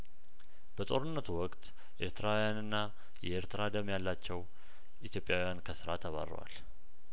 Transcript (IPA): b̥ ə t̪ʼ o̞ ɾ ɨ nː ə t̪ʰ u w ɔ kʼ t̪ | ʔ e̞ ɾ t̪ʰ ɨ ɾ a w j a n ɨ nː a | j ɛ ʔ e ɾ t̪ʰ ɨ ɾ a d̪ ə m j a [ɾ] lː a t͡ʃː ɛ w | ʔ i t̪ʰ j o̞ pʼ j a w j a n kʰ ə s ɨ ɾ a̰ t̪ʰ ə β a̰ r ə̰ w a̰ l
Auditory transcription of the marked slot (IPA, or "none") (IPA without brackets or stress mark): none